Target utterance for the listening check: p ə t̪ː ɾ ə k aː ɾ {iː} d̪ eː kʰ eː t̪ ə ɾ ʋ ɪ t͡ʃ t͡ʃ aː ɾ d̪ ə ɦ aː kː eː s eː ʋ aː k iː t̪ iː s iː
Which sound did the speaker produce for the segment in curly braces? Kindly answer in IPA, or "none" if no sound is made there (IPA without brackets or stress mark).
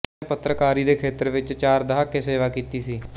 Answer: iː